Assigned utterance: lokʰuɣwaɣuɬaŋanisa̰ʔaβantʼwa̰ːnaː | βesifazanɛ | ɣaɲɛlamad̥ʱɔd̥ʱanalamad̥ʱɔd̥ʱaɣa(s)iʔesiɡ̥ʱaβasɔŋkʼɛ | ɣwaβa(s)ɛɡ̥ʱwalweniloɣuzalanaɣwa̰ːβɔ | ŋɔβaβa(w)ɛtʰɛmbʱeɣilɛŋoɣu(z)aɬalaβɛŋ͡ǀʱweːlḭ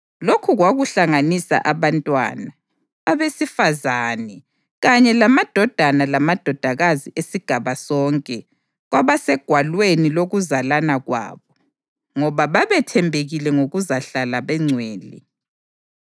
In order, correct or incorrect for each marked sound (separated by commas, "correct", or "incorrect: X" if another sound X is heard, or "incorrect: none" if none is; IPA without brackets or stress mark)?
incorrect: z, correct, incorrect: β, correct